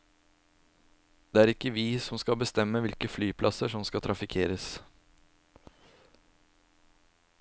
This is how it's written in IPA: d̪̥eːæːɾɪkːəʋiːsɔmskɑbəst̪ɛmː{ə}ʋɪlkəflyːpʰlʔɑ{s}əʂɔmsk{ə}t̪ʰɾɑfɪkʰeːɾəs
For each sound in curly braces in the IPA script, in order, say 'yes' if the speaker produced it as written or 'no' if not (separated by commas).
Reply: yes, yes, no